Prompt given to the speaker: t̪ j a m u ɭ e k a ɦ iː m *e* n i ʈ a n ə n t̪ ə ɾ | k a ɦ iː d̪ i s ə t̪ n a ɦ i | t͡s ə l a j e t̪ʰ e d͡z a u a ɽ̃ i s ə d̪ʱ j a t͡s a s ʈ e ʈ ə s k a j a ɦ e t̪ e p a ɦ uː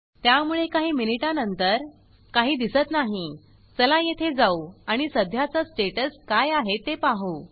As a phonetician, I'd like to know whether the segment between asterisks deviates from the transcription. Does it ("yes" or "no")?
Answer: yes